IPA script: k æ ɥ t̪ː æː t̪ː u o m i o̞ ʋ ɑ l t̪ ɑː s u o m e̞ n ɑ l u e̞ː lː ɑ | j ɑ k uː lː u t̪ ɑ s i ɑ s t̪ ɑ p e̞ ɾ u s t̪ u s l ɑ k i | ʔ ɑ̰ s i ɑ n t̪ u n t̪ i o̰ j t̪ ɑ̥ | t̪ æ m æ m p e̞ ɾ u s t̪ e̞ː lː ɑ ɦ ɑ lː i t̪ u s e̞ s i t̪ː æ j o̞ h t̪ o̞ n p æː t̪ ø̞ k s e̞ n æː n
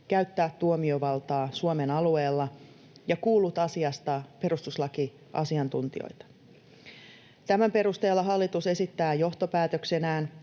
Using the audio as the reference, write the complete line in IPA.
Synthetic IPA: k æ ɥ t̪ː æː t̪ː u o m i o̞ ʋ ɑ l t̪ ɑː s u o m e̞ n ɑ l u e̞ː lː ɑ | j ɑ k uː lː u t̪ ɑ s i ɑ s t̪ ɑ p e̞ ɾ u s t̪ u s l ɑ k i | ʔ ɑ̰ s i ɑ n t̪ u n t̪ i o̰ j t̪ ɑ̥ | t̪ æ m æ m p e̞ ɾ u s t̪ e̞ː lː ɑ ɦ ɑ lː i t̪ u s e̞ s i t̪ː æː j o̞ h t̪ o̞ p æː t̪ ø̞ k s e̞ n æː n

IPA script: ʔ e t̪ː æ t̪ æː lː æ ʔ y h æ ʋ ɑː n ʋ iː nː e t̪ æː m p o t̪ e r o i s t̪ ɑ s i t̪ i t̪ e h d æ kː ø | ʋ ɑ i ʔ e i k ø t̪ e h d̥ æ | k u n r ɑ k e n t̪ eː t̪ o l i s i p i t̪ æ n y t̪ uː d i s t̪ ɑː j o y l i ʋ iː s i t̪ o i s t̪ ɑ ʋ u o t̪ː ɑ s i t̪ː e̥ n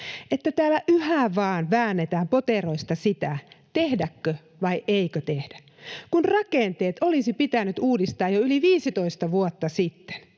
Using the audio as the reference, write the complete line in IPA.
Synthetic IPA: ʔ e t̪ː æ t̪ æː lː æ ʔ y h æ ʋ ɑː n ʋ æː nː e t̪ æː m p o t̪ e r o i s t̪ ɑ s i t̪ æ t̪ e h d æ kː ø | ʋ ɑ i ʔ e i k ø t̪ e h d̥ æ | k u n r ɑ k e n t̪ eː t̪ o l i s i p i t̪ æ n y t̪ uː d i s t̪ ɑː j o y l i ʋ iː s i t̪ o i s t̪ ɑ ʋ u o t̪ː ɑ s i t̪ː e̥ n

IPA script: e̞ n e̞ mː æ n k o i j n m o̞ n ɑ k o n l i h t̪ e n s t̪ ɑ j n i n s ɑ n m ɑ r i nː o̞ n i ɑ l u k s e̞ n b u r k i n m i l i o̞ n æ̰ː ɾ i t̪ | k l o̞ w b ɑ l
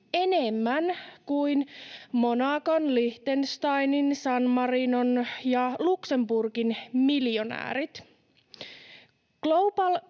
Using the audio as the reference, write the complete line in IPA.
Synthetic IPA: e̞ n e̞ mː æ n k u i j n m o̞ n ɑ k o n l i h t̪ e n s t̪ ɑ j n i n s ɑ n m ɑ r i n o̞ n j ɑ l u k s e̞ m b u r k i n m i l j o̞ n æ̰ː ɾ i t̪ | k l o̞ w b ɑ l

